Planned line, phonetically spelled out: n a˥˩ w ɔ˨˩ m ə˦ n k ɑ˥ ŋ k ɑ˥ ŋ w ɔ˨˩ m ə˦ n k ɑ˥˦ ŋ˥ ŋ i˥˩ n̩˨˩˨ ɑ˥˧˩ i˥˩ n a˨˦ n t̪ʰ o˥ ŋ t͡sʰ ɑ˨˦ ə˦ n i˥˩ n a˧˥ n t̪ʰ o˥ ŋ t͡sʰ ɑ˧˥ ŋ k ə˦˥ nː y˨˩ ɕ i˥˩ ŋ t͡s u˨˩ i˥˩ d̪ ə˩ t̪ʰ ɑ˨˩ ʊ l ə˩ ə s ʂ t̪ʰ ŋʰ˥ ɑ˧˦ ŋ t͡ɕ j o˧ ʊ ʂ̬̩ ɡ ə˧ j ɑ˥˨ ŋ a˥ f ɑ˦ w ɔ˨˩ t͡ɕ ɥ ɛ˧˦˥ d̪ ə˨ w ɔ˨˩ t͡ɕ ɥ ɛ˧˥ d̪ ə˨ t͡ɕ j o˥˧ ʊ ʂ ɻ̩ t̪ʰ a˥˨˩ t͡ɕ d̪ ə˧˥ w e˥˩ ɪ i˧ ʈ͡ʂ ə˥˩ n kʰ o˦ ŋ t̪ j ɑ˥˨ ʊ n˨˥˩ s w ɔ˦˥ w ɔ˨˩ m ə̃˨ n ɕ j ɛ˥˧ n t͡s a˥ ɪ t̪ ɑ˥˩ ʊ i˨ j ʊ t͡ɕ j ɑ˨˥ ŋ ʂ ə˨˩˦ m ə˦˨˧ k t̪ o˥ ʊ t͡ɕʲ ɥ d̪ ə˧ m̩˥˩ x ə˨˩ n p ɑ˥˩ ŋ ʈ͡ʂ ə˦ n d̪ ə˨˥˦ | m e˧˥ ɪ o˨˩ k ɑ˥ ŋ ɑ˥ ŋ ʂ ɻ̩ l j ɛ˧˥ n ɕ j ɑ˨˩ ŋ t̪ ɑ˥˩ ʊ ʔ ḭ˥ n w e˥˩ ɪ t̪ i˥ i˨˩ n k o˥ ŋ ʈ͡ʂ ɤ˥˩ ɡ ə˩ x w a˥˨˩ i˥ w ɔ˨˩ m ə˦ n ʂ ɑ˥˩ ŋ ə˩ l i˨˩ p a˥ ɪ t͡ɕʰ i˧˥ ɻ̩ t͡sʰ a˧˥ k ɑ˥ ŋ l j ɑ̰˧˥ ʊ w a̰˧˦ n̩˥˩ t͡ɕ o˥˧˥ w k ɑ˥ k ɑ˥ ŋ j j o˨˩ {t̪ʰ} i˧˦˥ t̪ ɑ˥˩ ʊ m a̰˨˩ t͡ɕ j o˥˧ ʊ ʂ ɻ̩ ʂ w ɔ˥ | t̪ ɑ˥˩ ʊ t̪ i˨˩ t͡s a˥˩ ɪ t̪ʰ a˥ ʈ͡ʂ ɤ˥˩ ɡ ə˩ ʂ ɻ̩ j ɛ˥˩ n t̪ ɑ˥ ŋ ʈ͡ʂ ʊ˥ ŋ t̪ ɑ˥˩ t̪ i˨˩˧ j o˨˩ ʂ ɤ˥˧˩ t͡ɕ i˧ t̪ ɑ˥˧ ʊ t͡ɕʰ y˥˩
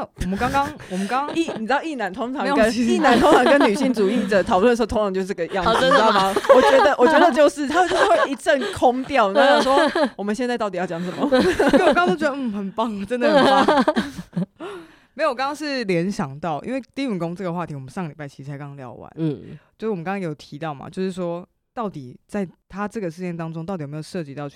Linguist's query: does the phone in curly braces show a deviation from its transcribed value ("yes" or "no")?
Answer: no